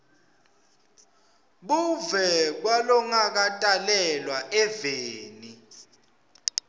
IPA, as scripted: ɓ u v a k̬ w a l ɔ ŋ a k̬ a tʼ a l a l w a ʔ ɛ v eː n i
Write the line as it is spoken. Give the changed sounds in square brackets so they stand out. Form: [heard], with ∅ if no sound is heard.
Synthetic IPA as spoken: ɓ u v [ɛ] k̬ w a l ɔ ŋ a k̬ a tʼ a l [ɛ] l w a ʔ ɛ v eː n i

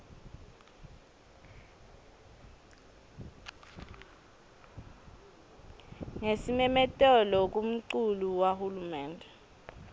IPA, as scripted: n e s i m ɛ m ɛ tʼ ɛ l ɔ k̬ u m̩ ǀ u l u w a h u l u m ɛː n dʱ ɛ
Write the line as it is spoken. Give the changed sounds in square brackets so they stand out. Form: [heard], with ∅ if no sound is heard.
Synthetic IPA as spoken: [ŋ] e s i m ɛ m ɛ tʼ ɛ l ɔ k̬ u m̩ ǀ u l u w a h u l u m ɛː n dʱ ɛ

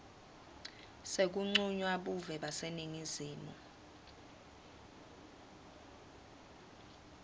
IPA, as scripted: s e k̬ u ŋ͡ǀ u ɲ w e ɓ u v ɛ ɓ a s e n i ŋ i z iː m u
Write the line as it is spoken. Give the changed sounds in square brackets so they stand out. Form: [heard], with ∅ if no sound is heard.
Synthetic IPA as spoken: s e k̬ u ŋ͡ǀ u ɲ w [a] ɓ u v ɛ ɓ a s e n i ŋ i z iː m u

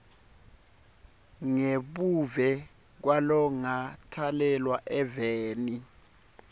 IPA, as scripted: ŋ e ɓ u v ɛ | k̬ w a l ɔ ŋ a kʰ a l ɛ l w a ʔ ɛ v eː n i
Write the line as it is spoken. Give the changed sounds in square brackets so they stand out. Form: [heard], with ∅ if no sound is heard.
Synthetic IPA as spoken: ŋ e ɓ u v ɛ | k̬ w a l ɔ ŋ a [tʰ] a l ɛ l w a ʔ ɛ v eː n i

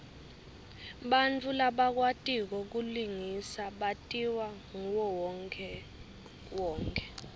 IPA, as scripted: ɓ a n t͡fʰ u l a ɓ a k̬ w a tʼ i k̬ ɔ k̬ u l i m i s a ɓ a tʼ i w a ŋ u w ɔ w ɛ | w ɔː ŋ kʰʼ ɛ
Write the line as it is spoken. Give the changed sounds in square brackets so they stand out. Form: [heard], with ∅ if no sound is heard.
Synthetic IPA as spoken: ɓ a n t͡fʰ u l a ɓ a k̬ w a tʼ i k̬ ɔ k̬ u l i [ŋ] i s a ɓ a tʼ i w a ŋ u w ɔ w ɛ | w ɔː ŋ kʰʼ ɛ

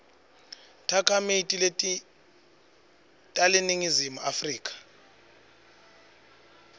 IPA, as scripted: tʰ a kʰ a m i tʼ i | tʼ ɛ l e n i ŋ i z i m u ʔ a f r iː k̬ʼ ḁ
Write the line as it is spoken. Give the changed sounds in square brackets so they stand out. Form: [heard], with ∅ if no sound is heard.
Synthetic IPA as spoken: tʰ a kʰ a m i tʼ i | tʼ [a] l e n i ŋ i z i m u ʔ a f r iː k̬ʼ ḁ

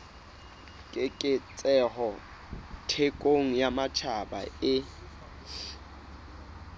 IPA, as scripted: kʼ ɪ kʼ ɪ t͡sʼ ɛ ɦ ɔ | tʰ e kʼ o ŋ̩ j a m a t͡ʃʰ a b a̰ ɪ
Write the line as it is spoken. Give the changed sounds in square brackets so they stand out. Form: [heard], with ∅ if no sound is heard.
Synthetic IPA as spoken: kʼ ɪ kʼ ɪ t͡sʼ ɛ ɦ ɔ | tʰ e kʼ o ŋ̩ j a m a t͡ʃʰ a b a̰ ɪ

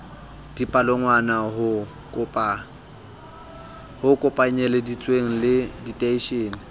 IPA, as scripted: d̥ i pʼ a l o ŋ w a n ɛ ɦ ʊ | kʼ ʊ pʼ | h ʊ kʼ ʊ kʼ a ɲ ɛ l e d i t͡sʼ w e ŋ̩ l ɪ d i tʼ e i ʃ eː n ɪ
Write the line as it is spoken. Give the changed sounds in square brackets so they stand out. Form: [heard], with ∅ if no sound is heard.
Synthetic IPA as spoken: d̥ i pʼ a l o ŋ w a n [a] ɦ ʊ | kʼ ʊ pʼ | h ʊ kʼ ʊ [pʼ] a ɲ ɛ l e d i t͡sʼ w e ŋ̩ l ɪ d i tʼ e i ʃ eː n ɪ

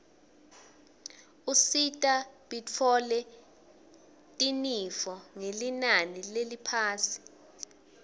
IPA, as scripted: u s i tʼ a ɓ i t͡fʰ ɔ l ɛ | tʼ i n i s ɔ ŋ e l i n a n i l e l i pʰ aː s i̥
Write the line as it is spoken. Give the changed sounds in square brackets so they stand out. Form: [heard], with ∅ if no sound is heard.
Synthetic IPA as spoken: u s i tʼ a ɓ i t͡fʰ ɔ l ɛ | tʼ i n i [f] ɔ ŋ e l i n a n i l e l i pʰ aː s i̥

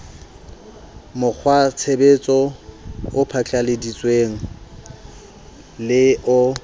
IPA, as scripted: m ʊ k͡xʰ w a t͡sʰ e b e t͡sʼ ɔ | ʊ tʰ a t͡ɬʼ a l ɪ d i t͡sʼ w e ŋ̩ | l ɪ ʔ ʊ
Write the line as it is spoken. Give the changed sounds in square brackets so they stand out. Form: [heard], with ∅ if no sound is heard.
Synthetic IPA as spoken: m ʊ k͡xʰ w a t͡sʰ e b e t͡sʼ ɔ | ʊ [pʰ] a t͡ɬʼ a l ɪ d i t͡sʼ w e ŋ̩ | l ɪ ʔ ʊ

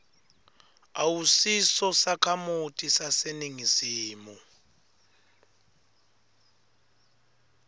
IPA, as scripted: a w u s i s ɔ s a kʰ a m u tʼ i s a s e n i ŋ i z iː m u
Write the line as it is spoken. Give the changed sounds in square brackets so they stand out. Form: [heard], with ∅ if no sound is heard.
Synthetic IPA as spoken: a w u s i s ɔ s a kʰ a m u tʼ i s a s e n i ŋ i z iː m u

